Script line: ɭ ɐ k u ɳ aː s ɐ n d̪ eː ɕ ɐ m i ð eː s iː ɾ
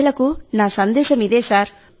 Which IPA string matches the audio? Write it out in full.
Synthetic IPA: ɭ ɐ k u n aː s ɐ n d̪ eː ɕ ɐ m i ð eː s aː ɾ